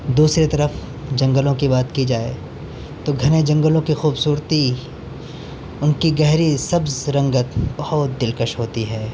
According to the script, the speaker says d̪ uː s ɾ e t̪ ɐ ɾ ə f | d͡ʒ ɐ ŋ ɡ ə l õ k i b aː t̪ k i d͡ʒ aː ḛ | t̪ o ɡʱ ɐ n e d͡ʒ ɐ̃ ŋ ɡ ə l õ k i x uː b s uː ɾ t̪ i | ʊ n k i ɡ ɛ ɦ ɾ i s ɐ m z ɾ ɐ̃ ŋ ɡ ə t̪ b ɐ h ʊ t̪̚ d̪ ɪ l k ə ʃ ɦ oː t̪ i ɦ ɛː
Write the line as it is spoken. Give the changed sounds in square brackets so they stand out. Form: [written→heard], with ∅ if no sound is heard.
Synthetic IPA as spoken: d̪ uː s ɾ e t̪ ɐ ɾ ə f | d͡ʒ [ɐ→ɐ̃] ŋ ɡ ə l õ k i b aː t̪ k i d͡ʒ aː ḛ | t̪ o ɡʱ ɐ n e d͡ʒ ɐ̃ ŋ ɡ ə l õ k i x uː b s uː ɾ t̪ i | ʊ n k i ɡ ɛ ɦ ɾ i s ɐ [m→b] z ɾ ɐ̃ ŋ ɡ ə t̪ b ɐ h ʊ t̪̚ d̪ ɪ l k ə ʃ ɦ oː t̪ i ɦ ɛː